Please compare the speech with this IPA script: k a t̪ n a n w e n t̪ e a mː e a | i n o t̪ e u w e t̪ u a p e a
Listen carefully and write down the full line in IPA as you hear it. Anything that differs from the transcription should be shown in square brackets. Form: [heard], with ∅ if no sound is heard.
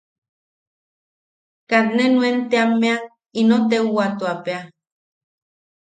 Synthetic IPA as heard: k a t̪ n [e] n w e n t̪ e a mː e a | i n o t̪ e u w [a] t̪ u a p e a